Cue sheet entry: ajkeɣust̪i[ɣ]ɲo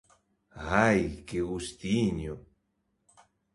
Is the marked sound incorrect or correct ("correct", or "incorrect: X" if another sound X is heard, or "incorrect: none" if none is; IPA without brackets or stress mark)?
incorrect: none